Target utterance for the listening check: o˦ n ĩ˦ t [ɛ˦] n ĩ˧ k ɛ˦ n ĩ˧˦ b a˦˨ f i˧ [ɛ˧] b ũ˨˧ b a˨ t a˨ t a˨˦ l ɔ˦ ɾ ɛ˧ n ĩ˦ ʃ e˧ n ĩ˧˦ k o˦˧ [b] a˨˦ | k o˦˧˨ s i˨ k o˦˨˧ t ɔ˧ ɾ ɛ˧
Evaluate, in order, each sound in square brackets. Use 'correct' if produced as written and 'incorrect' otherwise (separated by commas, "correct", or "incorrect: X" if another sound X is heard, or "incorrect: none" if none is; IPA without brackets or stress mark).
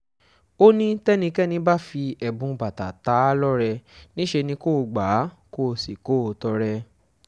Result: correct, correct, incorrect: ɡ͡b